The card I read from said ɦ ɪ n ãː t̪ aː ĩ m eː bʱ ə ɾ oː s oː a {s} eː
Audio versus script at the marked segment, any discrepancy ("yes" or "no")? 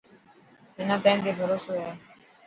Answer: yes